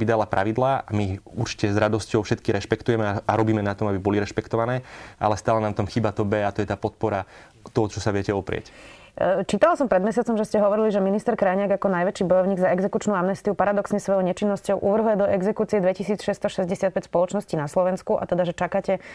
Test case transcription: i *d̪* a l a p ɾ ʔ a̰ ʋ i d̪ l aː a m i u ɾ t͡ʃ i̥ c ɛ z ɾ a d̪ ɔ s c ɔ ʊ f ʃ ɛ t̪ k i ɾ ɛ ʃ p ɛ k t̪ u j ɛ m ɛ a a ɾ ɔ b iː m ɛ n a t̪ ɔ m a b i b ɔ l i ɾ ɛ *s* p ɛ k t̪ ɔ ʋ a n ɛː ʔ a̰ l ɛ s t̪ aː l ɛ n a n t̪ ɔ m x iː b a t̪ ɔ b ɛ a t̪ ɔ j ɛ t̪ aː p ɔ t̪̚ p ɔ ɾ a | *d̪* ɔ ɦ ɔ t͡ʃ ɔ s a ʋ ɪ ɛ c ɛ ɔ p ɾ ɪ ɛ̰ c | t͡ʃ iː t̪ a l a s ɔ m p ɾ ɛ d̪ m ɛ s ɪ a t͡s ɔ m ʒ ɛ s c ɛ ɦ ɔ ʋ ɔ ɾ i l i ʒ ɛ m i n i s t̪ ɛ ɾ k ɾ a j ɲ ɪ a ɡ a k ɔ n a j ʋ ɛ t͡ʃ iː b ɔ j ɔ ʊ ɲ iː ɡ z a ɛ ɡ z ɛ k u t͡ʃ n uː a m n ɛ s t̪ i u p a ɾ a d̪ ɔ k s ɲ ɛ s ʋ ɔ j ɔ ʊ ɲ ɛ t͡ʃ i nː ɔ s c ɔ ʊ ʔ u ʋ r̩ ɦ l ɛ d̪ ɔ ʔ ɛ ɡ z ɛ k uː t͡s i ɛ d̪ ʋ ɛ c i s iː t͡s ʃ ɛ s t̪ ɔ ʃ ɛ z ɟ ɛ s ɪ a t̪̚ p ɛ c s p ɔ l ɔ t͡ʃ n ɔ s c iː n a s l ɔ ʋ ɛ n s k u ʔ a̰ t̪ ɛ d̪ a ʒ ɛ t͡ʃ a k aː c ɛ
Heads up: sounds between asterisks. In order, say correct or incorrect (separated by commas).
correct, incorrect, incorrect